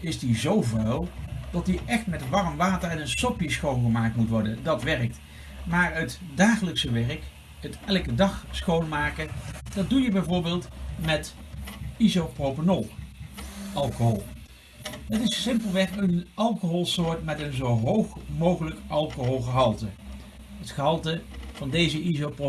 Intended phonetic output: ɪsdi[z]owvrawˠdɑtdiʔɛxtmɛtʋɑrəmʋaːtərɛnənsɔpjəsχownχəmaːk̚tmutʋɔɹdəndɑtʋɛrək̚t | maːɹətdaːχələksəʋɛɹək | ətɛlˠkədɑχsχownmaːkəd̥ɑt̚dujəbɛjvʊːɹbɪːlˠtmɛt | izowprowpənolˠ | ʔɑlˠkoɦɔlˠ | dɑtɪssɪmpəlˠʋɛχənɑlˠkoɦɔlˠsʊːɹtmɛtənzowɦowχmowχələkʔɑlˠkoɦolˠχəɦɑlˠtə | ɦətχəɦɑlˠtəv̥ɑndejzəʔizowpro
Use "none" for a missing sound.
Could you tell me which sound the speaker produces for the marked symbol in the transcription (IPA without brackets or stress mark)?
z